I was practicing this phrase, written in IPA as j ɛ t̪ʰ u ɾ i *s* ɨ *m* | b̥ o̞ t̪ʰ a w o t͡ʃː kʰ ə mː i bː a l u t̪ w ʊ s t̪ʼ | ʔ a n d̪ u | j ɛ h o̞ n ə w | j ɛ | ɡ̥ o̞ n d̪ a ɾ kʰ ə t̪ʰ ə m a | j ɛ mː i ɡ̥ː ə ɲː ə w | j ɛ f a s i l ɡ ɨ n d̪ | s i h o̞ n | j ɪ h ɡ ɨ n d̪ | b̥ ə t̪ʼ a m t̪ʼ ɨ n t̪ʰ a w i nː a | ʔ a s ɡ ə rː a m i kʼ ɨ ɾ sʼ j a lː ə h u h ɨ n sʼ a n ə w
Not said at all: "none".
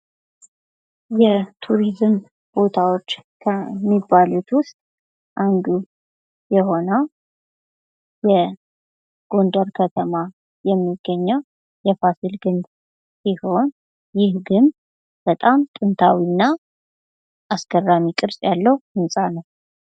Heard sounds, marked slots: z, m

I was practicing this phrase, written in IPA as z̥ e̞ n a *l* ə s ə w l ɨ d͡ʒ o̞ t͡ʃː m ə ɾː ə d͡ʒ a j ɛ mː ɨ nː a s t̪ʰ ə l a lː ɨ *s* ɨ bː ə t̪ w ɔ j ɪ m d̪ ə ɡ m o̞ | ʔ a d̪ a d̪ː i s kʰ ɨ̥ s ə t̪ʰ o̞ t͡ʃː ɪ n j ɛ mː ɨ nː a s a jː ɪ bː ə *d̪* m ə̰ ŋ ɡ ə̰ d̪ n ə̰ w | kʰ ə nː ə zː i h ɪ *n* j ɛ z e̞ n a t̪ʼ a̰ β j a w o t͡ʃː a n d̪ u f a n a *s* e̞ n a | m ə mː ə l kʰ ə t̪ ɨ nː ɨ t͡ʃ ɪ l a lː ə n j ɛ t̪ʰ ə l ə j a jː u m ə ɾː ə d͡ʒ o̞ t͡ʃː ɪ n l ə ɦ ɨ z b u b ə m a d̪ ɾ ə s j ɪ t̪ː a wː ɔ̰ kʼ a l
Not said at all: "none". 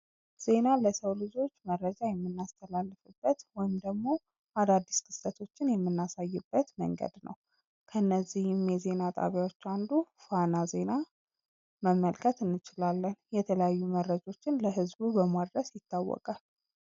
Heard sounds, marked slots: l, f, t̪, m, z

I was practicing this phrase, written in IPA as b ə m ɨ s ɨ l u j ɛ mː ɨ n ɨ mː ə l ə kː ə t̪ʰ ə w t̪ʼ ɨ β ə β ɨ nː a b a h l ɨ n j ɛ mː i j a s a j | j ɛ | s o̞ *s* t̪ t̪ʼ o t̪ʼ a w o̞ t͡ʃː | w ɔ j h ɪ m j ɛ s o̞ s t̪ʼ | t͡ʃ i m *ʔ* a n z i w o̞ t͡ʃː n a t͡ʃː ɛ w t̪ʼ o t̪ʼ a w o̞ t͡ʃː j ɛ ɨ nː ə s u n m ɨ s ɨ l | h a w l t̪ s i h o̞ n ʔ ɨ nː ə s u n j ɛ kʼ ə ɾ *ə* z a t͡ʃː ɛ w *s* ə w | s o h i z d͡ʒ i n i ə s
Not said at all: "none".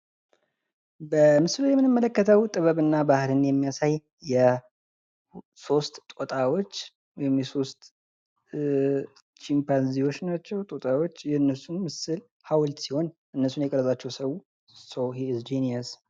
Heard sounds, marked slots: s, p, ə, s

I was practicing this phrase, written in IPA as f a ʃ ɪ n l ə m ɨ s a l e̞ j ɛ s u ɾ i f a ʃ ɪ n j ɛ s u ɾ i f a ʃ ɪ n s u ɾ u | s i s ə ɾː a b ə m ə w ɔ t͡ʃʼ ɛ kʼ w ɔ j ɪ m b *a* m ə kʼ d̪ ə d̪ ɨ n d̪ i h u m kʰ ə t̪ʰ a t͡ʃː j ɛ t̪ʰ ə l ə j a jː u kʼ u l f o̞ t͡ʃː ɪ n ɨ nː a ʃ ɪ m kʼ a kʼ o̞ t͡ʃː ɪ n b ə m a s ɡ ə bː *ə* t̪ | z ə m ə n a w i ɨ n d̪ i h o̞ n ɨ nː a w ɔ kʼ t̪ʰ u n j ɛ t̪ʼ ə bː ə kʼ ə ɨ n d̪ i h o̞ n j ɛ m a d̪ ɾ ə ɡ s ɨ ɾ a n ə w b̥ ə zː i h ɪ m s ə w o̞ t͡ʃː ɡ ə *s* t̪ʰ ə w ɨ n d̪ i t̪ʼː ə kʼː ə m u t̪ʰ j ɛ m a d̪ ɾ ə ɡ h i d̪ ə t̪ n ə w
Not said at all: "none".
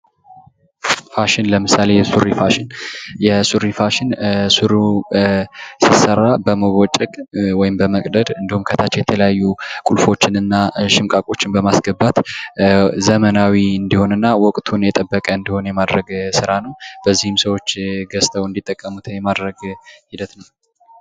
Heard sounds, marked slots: ə, a, s

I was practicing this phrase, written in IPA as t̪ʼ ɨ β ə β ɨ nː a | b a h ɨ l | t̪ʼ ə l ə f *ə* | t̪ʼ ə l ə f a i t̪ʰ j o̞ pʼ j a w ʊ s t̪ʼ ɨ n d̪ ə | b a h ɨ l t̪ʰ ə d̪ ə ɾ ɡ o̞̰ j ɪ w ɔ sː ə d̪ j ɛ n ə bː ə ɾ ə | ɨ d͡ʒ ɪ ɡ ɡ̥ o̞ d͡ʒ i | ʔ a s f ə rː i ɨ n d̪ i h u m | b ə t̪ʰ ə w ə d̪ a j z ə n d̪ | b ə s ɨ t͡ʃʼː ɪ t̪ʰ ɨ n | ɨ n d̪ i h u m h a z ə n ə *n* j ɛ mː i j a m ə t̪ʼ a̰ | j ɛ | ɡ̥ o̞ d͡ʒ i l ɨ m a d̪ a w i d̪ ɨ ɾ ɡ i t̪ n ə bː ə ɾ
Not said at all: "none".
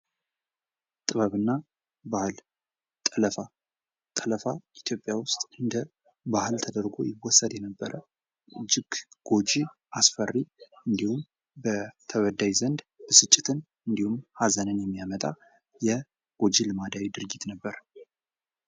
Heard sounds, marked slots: a, n

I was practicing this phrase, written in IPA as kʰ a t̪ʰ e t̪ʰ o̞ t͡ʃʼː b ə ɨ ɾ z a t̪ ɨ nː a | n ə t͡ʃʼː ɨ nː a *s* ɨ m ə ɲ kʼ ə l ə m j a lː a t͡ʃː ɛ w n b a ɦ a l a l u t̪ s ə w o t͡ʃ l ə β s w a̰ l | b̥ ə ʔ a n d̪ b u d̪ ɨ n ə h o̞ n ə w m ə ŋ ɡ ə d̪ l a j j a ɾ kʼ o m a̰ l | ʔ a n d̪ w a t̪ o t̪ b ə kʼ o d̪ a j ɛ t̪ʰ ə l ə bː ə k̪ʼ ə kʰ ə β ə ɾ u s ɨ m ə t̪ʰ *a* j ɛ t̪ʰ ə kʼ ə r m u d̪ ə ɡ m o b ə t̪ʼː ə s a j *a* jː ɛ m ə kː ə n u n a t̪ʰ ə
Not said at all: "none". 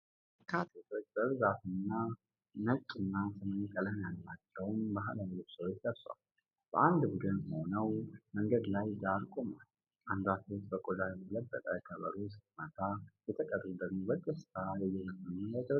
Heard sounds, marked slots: s, a, ɛ

